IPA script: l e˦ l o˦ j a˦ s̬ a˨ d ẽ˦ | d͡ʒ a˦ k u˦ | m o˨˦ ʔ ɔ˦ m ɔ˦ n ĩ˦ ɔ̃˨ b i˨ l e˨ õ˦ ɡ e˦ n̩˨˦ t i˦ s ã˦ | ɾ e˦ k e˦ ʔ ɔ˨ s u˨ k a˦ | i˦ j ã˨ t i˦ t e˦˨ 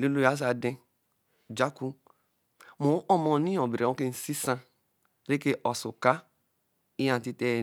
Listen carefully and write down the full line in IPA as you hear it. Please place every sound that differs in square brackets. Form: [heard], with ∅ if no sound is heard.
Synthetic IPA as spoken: l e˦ l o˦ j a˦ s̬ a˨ d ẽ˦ | d͡ʒ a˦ k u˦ | m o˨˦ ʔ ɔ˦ m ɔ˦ n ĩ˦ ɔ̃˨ b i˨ [ɾ] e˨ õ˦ [k] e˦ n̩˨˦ [s] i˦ s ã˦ | ɾ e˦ k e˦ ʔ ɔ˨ s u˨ k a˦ | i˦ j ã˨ t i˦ t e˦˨